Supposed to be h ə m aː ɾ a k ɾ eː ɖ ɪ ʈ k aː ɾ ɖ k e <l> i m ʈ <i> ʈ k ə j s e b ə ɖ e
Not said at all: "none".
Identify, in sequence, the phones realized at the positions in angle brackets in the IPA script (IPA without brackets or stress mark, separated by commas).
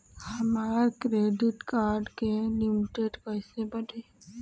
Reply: l, e